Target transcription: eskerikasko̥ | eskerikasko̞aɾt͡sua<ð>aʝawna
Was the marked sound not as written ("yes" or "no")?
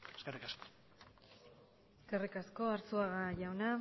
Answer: yes